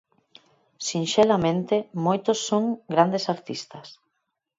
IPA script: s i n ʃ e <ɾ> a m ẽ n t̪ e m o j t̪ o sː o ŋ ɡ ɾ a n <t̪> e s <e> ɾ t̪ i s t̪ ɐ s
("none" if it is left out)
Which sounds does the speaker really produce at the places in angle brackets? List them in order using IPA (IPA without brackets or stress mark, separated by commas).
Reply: l, d̪, a